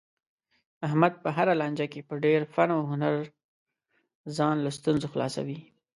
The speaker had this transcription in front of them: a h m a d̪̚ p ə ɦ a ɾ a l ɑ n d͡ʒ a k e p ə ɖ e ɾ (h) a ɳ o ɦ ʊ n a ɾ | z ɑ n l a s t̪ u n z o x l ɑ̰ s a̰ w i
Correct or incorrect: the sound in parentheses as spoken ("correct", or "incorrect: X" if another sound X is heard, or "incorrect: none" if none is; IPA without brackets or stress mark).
incorrect: f